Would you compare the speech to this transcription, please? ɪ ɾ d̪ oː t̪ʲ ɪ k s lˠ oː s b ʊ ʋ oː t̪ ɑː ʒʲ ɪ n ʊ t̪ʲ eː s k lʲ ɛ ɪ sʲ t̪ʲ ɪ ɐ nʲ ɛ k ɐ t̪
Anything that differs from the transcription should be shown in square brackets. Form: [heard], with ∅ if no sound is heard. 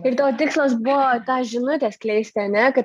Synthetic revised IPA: ɪ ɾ [t̪] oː t̪ʲ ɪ k s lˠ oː s b ʊ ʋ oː t̪ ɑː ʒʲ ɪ n ʊ t̪ʲ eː s k lʲ ɛ ɪ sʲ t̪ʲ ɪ ɐ nʲ ɛ k ɐ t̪